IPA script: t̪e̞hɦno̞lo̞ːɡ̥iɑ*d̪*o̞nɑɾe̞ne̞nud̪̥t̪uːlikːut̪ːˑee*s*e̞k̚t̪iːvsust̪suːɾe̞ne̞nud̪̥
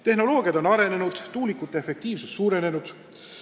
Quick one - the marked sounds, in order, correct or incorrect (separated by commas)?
correct, incorrect